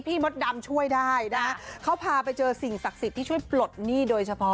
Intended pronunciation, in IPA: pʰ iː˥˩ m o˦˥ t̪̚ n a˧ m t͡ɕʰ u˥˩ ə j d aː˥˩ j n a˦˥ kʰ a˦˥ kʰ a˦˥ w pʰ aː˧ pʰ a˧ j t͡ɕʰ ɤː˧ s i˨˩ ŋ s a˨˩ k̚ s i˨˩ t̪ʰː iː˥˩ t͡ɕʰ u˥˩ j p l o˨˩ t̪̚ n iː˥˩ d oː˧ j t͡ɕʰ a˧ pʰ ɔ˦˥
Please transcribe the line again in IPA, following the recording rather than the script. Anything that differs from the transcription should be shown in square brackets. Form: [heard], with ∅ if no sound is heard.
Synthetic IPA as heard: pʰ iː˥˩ m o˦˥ t̪̚ [d] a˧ m t͡ɕʰ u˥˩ ə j d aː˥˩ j n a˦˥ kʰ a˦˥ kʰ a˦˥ w pʰ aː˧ [p] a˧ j [t͡ɕ] ɤː˧ s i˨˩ ŋ s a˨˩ k̚ s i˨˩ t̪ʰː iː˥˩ t͡ɕʰ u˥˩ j p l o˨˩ t̪̚ n iː˥˩ d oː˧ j t͡ɕʰ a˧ pʰ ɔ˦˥